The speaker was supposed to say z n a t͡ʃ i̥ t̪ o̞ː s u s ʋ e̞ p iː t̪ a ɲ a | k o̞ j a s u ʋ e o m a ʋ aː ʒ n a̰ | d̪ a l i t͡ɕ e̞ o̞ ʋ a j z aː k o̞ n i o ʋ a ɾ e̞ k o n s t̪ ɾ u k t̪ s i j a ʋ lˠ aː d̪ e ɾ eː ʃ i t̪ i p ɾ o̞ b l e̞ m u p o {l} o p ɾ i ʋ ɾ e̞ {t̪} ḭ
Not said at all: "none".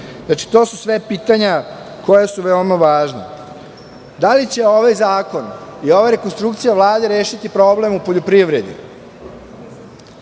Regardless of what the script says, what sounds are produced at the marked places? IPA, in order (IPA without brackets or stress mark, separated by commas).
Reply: ʎ, d̪